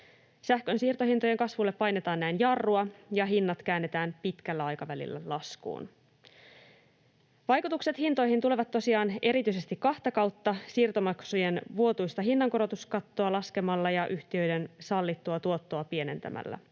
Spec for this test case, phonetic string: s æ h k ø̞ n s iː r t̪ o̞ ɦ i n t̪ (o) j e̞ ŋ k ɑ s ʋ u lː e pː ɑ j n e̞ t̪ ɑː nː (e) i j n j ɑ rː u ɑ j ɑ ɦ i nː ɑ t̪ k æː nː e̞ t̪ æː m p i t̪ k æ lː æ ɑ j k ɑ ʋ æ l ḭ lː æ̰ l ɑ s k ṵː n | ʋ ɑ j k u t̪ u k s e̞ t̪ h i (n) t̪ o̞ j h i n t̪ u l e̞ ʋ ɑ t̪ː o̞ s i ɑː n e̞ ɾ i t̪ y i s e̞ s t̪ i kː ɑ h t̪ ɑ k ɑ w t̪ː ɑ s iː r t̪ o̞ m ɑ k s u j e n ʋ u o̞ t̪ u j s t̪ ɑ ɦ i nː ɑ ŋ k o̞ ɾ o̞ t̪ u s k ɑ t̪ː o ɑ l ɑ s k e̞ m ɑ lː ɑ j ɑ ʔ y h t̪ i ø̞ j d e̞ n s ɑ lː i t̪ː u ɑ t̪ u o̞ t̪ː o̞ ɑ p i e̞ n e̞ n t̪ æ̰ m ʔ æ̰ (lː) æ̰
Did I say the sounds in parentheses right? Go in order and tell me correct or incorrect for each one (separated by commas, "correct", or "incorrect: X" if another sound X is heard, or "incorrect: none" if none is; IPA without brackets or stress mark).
correct, incorrect: æ, correct, correct